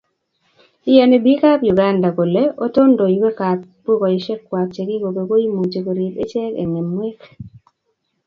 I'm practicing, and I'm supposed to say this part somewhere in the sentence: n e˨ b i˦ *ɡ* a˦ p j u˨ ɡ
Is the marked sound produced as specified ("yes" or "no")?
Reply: no